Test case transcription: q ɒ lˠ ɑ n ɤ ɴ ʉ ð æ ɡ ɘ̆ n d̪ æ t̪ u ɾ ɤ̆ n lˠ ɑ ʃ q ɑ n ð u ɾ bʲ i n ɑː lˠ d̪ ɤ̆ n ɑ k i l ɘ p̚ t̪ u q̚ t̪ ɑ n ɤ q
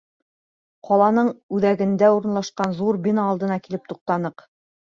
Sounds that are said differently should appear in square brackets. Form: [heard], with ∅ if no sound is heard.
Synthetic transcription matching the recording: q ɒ lˠ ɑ n ɤ ɴ ʉ ð æ ɡ ɘ̆ n d̪ æ [∅] u ɾ ɤ̆ n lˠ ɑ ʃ q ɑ n ð u ɾ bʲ i n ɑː lˠ d̪ ɤ̆ n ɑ k i l ɘ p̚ t̪ u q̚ t̪ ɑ n ɤ q